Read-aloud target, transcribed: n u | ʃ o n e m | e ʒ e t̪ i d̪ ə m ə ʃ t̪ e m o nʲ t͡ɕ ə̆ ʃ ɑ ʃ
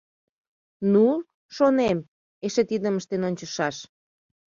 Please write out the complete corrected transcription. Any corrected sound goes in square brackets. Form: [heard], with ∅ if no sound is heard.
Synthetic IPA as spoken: n u | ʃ o n e m | e [ʃ] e t̪ i d̪ ə m ə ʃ t̪ e [n] o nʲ t͡ɕ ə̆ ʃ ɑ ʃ

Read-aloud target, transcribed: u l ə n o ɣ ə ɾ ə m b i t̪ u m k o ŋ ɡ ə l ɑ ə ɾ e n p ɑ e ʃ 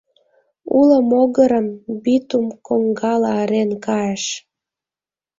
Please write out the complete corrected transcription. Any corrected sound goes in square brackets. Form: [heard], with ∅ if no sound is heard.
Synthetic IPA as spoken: u l ə [m] o ɣ ə ɾ ə m b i t̪ u m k o ŋ ɡ [ɑ] l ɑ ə ɾ e n [k] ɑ e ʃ

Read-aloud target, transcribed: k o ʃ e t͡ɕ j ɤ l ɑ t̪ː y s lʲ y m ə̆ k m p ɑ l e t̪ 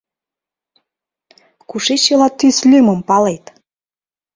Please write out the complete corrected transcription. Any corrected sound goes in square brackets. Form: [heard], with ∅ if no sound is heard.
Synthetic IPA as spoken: k [u] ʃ e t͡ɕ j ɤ l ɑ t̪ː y s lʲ y m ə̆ [∅] m p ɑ l e t̪

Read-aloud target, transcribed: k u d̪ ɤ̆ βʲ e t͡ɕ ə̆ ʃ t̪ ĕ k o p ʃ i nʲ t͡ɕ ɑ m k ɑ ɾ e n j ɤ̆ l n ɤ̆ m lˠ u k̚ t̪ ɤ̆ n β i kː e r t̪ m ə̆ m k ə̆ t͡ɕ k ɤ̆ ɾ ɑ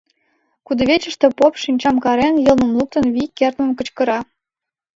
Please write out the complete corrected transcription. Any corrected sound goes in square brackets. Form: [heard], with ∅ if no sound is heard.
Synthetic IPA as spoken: k u d̪ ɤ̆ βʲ e t͡ɕ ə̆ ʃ t̪ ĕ [p] o p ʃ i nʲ t͡ɕ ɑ m k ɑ ɾ e n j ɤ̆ l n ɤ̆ m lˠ u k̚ t̪ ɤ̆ n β i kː e r t̪ m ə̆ m k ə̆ t͡ɕ k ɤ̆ ɾ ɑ

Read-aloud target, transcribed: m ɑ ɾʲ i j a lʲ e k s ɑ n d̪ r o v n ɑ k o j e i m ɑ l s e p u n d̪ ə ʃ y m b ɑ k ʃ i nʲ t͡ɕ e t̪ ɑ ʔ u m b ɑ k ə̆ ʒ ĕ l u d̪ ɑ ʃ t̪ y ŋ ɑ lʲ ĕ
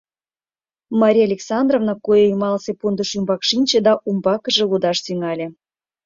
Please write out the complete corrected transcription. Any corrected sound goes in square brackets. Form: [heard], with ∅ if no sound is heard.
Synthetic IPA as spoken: m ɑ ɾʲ i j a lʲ e k s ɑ n d̪ r o v n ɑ k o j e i m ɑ l s e p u n d̪ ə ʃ y m b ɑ k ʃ i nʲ t͡ɕ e [d̪] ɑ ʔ u m b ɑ k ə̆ ʒ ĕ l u d̪ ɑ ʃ t̪ y ŋ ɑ lʲ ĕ

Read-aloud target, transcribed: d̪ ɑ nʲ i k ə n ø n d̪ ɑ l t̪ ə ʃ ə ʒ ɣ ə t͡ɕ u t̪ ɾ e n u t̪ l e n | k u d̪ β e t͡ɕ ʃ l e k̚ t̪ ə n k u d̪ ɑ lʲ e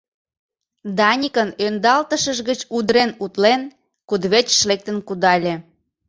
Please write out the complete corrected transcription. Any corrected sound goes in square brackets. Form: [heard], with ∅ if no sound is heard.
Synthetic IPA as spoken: d̪ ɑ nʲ i k ə n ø n d̪ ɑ l t̪ ə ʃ ə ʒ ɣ ə t͡ɕ u [d̪] ɾ e n u t̪ l e n | k u d̪ β e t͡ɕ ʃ l e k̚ t̪ ə n k u d̪ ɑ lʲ e

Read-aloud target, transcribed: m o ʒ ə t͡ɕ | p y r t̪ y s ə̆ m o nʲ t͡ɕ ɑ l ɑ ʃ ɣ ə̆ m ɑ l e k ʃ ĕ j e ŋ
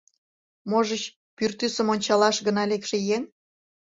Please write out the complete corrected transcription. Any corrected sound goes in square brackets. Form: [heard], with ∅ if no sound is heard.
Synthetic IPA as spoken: m o ʒ ə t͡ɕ | p y r t̪ y s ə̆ m o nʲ t͡ɕ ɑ l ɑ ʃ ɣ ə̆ [n] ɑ l e k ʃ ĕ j e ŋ

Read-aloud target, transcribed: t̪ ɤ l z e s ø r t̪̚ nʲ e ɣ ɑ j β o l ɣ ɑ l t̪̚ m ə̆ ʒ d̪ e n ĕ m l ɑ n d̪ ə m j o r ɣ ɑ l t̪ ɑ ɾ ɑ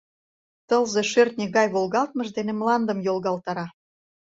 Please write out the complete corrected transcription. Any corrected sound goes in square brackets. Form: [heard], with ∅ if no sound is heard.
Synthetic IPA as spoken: t̪ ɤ l z e [ʃ] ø r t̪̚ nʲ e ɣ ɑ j β o l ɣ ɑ l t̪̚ m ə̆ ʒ d̪ e n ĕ m l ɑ n d̪ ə m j o [l] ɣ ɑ l t̪ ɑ ɾ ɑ

